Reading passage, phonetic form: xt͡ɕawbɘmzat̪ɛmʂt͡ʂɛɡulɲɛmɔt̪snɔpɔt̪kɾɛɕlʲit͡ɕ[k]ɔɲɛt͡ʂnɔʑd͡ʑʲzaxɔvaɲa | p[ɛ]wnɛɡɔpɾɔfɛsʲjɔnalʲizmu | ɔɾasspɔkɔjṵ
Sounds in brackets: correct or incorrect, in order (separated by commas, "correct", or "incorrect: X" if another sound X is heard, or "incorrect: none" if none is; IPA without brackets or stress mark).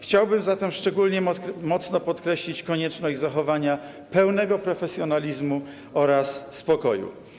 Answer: correct, correct